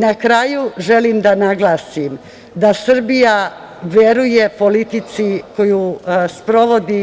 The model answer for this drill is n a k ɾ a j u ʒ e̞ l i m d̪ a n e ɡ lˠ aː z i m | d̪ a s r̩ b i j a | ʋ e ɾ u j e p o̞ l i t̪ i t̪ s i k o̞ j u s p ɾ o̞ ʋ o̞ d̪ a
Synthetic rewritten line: n a k ɾ a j u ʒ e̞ l i m d̪ a n a ɡ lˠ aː s i m | d̪ a s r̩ b i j a | ʋ e ɾ u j e p o̞ l i t̪ i t̪ s i k o̞ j u s p ɾ o̞ ʋ o̞ d̪ i